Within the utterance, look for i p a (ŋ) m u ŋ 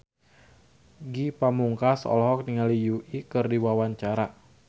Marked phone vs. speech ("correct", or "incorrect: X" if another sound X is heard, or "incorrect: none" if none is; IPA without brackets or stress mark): incorrect: none